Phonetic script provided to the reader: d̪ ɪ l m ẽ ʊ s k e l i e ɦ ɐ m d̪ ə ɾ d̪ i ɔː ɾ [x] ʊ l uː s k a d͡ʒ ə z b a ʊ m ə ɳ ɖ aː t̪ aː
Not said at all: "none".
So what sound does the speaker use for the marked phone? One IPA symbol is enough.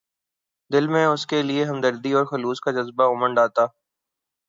x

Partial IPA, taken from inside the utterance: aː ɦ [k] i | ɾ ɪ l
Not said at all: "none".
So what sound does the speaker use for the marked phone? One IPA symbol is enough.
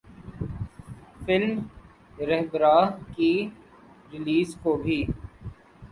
k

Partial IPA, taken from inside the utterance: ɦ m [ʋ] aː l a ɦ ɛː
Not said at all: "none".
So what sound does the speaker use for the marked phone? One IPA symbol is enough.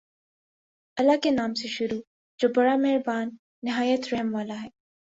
ʋ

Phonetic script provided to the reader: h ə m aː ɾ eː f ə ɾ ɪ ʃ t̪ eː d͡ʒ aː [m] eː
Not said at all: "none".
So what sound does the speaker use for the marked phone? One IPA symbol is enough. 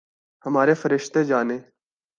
n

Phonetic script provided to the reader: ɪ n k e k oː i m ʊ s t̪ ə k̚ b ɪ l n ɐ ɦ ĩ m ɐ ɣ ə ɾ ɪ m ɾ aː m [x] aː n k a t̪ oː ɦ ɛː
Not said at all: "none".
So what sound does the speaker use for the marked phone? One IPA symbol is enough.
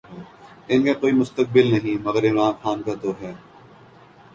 x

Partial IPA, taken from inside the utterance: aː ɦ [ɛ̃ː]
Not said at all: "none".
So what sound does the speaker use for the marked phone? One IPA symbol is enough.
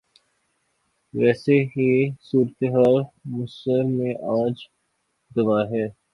ɛː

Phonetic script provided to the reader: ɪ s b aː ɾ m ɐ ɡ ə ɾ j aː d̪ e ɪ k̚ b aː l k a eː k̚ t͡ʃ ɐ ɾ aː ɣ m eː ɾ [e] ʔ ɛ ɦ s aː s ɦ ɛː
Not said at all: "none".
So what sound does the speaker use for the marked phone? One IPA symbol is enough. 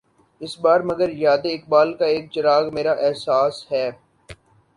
a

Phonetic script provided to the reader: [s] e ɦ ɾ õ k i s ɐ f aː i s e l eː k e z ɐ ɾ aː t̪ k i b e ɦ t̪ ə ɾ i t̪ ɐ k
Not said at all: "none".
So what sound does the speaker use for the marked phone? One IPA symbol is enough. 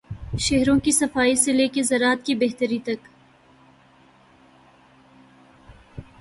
ʃ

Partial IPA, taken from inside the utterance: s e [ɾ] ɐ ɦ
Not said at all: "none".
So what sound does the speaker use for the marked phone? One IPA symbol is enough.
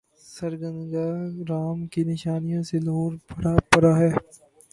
l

